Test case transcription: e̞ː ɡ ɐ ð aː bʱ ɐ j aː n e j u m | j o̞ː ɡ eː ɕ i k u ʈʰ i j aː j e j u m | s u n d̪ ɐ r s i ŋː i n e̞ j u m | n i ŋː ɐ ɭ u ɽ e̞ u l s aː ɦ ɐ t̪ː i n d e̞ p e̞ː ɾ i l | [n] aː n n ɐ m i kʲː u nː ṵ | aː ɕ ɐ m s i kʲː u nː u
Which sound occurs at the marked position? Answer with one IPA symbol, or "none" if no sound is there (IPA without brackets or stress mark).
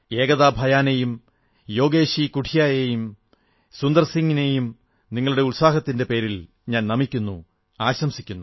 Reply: ɲ